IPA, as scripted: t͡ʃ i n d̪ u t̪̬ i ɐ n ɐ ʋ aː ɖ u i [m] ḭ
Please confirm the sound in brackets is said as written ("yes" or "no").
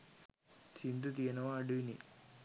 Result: no